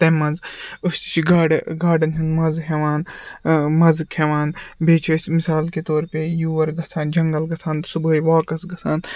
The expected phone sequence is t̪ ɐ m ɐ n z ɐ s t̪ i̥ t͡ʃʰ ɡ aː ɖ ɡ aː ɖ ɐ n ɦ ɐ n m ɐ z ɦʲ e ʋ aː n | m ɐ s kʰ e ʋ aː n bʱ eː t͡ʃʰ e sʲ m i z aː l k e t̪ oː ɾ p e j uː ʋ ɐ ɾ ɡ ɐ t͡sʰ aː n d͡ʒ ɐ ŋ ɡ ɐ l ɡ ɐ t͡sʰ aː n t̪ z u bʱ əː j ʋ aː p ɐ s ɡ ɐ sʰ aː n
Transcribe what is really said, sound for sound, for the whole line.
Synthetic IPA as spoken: t̪ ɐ m ɐ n z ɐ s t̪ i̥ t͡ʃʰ ɡ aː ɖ ɡ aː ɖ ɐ n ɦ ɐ n m ɐ z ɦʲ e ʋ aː n | m ɐ z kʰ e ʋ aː n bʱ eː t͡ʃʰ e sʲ m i s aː l k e t̪ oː ɾ p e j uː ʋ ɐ ɾ ɡ ɐ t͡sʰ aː n d͡ʒ ɐ ŋ ɡ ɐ l ɡ ɐ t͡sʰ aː n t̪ s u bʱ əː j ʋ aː k ɐ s ɡ ɐ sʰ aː n